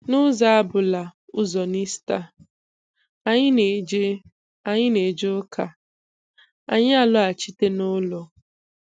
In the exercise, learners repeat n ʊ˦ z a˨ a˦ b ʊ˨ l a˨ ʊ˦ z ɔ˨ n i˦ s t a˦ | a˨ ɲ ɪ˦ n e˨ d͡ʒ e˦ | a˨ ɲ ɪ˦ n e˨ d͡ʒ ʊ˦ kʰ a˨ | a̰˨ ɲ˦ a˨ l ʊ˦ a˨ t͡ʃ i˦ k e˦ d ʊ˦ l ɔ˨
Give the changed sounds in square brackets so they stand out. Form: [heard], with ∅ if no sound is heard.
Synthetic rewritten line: n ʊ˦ z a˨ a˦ b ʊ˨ l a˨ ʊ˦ z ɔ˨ n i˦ s t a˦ | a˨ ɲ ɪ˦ n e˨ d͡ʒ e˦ | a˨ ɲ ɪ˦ n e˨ d͡ʒ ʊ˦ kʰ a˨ | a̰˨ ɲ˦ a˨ l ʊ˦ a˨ t͡ʃ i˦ [t] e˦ [n] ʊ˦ l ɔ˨

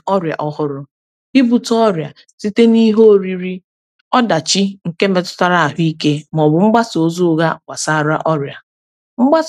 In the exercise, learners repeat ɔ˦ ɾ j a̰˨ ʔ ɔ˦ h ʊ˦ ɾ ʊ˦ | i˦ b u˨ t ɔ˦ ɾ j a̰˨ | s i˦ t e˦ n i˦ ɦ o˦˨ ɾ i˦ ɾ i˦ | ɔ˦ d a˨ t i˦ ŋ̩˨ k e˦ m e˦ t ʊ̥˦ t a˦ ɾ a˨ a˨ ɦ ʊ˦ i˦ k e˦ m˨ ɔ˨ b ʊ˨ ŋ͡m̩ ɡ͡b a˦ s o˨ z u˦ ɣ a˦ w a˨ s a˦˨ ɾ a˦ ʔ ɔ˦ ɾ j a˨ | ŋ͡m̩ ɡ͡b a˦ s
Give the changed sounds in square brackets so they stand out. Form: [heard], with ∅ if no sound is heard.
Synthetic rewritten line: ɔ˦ ɾ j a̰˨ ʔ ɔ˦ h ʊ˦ ɾ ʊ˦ | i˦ b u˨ t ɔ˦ ɾ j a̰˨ | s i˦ t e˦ n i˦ ɦ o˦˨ ɾ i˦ ɾ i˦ | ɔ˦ d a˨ [t͡ʃ] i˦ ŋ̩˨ k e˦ m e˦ t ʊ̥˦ t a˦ ɾ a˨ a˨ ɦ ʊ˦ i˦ k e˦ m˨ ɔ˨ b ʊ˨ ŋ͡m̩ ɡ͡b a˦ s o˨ z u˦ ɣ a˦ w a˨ s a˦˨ ɾ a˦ ʔ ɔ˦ ɾ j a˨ | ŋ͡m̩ ɡ͡b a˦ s

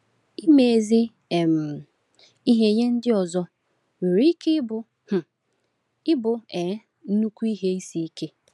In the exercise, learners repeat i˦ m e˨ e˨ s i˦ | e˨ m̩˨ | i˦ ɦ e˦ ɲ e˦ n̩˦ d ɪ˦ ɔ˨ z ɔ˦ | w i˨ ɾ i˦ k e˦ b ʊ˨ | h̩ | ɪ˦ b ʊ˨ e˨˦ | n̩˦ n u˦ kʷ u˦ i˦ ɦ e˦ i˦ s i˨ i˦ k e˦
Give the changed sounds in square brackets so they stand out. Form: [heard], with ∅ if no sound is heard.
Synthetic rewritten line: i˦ m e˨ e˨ [z] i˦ | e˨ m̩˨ | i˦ ɦ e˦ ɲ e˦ n̩˦ d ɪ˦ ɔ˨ z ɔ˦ | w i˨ ɾ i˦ k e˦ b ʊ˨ | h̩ | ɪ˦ b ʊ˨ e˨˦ | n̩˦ n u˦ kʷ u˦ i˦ ɦ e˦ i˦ s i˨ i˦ k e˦

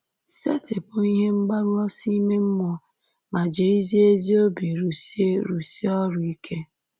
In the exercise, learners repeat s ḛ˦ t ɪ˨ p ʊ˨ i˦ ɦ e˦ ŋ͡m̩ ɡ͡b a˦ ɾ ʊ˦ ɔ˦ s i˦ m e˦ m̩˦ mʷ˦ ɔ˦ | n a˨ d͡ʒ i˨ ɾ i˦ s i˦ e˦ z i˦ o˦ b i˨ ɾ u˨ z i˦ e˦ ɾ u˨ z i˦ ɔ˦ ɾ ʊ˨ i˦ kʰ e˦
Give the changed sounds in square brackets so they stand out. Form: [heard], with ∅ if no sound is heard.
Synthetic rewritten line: s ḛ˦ t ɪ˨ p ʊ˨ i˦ ɦ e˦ ŋ͡m̩ ɡ͡b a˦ ɾ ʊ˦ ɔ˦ s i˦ m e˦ m̩˦ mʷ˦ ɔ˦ | [m] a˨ d͡ʒ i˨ ɾ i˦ [z] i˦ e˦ z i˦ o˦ b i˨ ɾ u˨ [s] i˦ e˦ ɾ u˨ [s] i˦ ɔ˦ ɾ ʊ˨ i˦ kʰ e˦

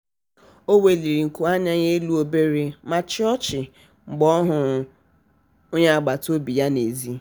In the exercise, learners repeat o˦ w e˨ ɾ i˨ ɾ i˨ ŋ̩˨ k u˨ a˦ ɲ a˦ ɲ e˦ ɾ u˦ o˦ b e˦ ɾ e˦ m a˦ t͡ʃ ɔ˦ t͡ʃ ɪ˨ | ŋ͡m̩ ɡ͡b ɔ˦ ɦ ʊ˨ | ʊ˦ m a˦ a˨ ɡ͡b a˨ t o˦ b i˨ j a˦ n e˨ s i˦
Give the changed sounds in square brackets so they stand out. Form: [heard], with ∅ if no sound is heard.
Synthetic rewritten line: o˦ w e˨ [l] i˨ ɾ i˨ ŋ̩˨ k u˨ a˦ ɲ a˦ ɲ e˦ [l] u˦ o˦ b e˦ ɾ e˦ m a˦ t͡ʃ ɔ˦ t͡ʃ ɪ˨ | ŋ͡m̩ ɡ͡b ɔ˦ ɦ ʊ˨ | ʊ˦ [ɲ] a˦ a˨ ɡ͡b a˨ t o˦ b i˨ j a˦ n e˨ [z] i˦

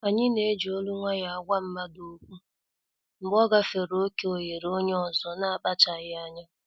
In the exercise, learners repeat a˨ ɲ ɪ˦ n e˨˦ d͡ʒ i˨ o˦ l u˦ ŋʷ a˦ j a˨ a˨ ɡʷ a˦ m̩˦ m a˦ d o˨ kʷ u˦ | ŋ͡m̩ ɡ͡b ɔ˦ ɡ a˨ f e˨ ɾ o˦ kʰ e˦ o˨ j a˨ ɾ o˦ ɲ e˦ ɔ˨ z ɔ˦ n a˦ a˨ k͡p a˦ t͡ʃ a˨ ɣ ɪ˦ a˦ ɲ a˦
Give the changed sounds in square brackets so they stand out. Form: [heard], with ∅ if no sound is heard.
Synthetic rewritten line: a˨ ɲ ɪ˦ n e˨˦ d͡ʒ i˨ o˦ l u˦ ŋʷ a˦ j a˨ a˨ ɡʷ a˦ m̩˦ m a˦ d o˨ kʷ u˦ | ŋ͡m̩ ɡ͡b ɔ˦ ɡ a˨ f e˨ ɾ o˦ [k] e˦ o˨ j [e˨] ɾ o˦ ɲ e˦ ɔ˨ z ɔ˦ n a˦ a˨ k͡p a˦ t͡ʃ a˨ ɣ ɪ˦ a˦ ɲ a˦

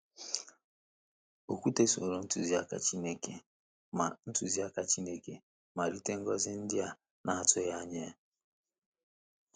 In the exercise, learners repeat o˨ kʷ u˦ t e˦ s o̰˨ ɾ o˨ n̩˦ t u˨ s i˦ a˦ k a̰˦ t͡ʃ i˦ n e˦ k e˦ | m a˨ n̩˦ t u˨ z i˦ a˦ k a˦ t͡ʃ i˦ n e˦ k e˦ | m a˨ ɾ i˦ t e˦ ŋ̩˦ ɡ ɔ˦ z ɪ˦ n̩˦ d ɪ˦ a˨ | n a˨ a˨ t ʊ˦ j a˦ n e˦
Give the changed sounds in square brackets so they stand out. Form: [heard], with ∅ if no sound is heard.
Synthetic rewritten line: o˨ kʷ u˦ t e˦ s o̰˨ ɾ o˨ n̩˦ t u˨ [z] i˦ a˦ k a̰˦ t͡ʃ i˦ n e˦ k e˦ | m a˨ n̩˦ t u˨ z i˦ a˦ k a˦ t͡ʃ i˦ n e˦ k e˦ | m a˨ ɾ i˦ t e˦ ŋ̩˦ ɡ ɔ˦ z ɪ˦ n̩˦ d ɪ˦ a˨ | n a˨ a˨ t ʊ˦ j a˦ [ɲ] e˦

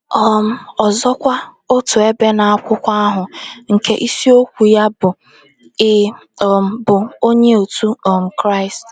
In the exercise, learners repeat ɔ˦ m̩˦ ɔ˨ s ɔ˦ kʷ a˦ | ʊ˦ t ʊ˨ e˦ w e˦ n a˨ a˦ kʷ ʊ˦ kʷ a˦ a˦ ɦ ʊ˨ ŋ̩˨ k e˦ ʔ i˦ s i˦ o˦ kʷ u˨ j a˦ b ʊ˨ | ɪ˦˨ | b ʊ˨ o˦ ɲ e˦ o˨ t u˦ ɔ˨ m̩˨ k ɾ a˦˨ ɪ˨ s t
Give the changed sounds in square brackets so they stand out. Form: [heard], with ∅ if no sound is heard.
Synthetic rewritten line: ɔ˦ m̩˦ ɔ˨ [z] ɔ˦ kʷ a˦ | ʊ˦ t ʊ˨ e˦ [b] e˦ n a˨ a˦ kʷ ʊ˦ kʷ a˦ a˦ ɦ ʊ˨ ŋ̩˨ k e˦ ʔ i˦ s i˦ o˦ kʷ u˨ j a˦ b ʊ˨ | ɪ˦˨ | b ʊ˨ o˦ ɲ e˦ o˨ t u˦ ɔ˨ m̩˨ k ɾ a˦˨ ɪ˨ s t

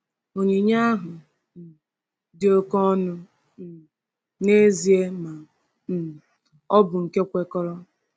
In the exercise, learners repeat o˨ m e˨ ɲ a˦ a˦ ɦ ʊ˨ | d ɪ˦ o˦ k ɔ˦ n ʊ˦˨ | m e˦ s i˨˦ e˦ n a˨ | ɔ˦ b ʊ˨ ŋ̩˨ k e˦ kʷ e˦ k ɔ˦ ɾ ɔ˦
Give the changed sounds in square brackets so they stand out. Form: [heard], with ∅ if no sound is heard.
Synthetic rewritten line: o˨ [ɲ] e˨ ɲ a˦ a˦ ɦ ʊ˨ | d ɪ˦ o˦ k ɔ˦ n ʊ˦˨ | [n] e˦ [z] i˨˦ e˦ [m] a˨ | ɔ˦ b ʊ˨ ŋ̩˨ k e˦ kʷ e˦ k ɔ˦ ɾ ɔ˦

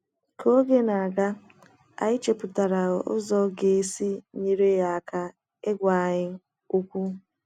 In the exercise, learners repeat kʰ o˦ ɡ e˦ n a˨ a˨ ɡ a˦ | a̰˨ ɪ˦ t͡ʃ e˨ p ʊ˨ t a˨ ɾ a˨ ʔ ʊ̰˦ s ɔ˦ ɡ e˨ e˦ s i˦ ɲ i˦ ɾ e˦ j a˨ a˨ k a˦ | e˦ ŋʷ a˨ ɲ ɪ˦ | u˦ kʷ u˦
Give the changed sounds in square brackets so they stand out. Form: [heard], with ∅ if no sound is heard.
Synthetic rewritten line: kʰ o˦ ɡ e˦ n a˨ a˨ ɡ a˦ | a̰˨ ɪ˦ t͡ʃ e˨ p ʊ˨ t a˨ ɾ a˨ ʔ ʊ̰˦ [z] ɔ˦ ɡ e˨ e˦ s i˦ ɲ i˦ ɾ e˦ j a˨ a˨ k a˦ | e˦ [ɡʷ] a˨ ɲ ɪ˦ | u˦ kʷ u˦

